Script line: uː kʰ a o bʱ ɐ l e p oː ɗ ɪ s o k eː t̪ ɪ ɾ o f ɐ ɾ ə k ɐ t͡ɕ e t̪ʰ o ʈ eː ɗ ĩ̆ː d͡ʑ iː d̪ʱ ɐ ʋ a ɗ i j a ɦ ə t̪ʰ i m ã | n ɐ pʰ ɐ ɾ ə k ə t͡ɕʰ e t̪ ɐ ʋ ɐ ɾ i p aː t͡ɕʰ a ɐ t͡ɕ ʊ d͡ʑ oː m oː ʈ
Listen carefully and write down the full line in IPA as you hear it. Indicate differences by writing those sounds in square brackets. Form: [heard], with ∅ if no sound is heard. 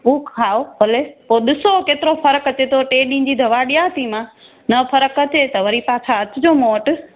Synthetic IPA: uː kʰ a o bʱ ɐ l e p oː ɗ ɪ s o k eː t̪ ɪ ɾ o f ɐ ɾ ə k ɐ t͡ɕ e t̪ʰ o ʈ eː ɗ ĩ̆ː d͡ʑ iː d̪ʱ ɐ ʋ a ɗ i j a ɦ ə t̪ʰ i m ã | n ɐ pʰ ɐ ɾ ə k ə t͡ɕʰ e t̪ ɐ ʋ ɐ ɾ i p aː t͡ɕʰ a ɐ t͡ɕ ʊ d͡ʑ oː m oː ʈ